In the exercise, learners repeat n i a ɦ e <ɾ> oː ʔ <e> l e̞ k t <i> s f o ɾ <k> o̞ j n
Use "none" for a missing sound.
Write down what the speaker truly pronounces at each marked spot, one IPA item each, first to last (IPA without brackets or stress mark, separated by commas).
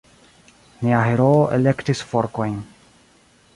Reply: ɾ, e, i, k